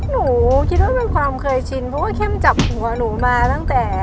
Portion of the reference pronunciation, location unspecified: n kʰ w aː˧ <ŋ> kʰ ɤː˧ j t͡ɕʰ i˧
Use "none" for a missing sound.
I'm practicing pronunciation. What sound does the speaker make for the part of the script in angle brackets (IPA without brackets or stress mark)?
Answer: m